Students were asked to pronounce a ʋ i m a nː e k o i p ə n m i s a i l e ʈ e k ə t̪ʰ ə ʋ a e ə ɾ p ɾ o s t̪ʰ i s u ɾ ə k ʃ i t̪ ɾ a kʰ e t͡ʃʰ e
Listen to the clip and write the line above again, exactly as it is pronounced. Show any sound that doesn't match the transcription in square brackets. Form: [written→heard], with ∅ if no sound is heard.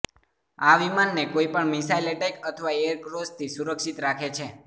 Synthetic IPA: a ʋ i m a nː e k o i p ə [n→ɳ] m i s a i l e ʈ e k ə t̪ʰ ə ʋ a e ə ɾ [p→k] ɾ o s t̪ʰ i s u ɾ ə k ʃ i t̪ ɾ a kʰ e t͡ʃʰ e